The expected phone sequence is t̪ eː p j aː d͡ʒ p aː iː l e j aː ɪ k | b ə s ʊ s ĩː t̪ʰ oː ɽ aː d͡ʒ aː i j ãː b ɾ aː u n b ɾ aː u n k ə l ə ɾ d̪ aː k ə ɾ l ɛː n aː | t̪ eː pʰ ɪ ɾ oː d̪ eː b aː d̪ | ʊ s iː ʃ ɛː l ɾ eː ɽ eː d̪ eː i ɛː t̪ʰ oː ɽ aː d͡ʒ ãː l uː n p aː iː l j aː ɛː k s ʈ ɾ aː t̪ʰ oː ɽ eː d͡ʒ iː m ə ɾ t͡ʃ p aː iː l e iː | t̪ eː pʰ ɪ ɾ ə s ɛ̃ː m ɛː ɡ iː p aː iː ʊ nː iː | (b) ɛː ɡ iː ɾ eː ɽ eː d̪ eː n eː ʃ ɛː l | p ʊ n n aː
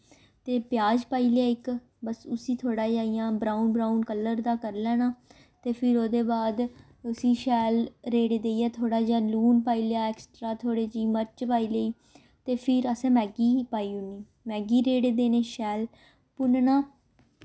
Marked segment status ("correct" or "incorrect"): incorrect